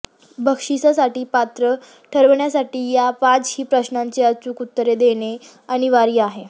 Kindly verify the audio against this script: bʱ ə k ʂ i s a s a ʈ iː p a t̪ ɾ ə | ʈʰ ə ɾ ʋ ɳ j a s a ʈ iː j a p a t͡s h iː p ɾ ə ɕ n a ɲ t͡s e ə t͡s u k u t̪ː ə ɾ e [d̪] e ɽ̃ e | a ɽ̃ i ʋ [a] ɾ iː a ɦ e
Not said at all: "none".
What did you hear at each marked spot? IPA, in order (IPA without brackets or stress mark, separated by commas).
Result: d̪, a